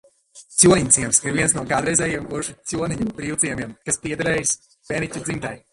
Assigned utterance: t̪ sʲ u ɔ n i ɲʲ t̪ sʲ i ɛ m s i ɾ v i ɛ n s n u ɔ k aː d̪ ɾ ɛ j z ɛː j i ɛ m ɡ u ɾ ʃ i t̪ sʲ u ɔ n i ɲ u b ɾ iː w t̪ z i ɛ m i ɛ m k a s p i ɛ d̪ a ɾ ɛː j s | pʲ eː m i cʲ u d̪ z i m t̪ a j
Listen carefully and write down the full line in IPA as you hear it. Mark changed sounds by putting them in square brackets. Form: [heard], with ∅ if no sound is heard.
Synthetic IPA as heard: t̪ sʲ u ɔ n i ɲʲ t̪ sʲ i ɛ m s i ɾ v i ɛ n s n u ɔ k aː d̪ ɾ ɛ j z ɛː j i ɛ m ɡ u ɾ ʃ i t̪ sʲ u ɔ n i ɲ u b ɾ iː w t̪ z i ɛ m i ɛ m k a s p i ɛ d̪ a ɾ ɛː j s | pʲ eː [n] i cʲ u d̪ z i m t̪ a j